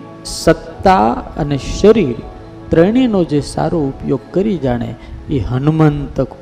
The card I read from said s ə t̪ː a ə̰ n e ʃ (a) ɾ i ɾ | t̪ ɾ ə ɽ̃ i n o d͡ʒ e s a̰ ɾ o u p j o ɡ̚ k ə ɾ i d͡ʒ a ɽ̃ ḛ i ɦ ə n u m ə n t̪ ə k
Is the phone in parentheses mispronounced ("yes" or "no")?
yes